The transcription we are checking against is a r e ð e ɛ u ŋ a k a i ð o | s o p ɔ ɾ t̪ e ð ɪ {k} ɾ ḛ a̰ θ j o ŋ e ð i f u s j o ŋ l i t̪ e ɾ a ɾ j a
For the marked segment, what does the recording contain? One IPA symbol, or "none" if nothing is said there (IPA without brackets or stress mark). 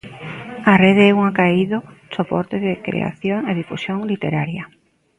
k